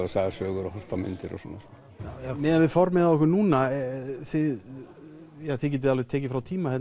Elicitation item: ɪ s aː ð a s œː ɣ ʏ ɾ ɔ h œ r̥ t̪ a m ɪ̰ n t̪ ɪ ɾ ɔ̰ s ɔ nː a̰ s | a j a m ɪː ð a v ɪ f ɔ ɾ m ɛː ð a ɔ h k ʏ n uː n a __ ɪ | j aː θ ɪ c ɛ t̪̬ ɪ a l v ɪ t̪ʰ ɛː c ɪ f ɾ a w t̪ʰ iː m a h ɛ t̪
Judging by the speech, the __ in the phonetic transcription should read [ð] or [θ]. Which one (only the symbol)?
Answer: θ